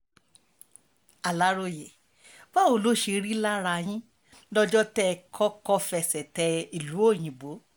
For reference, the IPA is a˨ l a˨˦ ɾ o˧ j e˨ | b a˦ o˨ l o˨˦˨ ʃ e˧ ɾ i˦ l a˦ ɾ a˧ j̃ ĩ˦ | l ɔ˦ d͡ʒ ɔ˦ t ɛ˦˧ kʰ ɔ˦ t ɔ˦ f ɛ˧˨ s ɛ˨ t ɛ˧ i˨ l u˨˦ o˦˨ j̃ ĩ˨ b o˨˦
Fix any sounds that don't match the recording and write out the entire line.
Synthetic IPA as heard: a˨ l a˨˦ ɾ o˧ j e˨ | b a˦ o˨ l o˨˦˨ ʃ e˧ ɾ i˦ l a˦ ɾ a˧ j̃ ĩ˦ | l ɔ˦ d͡ʒ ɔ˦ t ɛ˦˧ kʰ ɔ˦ k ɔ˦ f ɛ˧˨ s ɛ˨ t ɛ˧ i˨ l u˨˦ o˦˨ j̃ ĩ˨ b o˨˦